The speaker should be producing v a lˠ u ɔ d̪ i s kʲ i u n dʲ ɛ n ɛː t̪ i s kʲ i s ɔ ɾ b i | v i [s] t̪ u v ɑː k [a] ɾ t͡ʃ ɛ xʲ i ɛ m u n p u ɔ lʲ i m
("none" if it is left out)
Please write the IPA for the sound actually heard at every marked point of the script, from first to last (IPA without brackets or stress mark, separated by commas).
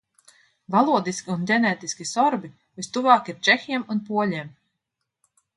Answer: s, i